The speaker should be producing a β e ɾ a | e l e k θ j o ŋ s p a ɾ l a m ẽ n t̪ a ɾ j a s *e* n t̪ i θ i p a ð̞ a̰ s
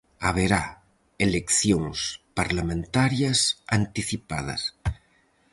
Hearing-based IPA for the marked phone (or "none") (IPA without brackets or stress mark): a